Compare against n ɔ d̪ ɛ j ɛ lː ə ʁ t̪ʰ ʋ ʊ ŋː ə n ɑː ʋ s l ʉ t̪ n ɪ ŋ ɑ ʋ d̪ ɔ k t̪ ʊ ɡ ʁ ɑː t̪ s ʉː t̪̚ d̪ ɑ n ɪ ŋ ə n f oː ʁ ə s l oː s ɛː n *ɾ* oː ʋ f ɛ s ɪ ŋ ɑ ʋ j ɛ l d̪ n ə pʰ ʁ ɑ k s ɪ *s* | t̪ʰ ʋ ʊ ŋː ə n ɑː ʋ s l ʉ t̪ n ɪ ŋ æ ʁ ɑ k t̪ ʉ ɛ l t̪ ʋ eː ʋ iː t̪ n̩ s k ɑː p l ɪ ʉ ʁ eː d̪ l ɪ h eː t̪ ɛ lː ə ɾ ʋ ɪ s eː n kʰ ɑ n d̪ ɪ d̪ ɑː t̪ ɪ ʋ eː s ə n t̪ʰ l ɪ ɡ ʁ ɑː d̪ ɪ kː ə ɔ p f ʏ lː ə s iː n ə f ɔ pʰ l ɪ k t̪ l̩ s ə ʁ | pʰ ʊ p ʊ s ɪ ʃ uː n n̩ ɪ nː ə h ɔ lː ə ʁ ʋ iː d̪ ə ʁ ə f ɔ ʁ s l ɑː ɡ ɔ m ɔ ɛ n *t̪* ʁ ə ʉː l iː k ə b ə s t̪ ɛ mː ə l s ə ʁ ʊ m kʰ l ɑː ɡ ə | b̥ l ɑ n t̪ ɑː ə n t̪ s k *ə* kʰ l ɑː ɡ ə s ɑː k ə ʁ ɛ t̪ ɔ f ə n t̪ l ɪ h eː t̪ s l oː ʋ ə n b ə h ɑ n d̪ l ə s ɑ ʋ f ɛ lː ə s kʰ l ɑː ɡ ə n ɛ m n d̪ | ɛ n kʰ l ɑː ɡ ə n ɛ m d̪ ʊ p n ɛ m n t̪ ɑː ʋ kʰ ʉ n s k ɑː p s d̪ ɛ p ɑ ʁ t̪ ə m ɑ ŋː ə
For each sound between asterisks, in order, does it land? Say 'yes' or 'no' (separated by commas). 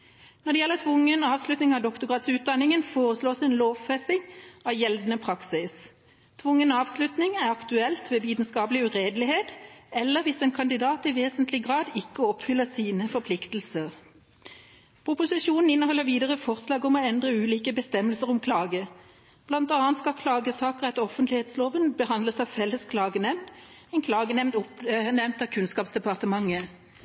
no, yes, no, no